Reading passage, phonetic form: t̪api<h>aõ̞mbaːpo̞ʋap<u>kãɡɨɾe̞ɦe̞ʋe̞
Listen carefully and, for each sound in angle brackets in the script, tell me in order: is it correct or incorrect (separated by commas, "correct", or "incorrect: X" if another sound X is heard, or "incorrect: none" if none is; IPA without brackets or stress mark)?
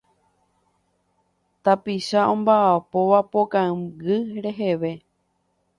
incorrect: ʃ, incorrect: o